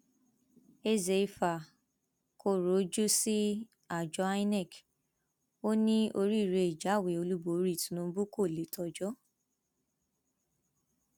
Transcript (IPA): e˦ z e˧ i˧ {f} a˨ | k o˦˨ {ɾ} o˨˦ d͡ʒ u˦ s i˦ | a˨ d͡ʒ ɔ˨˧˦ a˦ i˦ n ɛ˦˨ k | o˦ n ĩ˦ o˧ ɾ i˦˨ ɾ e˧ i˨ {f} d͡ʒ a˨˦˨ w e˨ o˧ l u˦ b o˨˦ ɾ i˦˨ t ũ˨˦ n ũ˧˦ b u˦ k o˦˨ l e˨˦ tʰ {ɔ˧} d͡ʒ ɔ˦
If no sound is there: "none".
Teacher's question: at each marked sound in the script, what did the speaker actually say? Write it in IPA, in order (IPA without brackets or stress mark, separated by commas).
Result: f, ɾ, none, ɔ˧